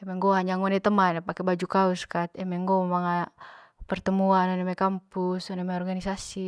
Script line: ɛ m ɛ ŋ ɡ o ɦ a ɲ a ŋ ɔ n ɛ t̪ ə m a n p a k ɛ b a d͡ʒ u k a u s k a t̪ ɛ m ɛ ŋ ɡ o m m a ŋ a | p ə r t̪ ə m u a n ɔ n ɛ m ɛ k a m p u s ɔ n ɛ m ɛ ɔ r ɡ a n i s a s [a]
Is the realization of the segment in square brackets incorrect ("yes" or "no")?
yes